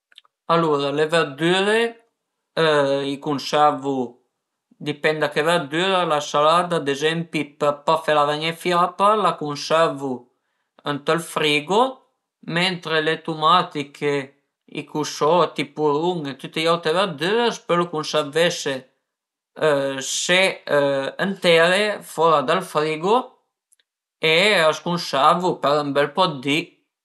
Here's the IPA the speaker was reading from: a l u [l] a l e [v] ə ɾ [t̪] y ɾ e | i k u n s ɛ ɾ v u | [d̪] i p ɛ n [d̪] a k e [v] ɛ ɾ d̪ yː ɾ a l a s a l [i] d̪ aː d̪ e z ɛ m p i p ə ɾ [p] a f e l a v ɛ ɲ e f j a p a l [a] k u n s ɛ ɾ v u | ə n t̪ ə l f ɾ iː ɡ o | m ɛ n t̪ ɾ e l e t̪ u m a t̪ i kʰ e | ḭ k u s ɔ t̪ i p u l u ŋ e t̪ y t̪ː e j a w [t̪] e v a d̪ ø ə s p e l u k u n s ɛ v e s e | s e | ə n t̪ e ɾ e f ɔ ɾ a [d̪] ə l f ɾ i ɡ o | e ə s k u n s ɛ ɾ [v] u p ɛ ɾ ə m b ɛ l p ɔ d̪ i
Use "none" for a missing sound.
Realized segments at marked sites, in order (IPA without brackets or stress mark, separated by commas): ɾ, v, d̪, d̪, d̪, v, a, p, a, t̪, d̪, v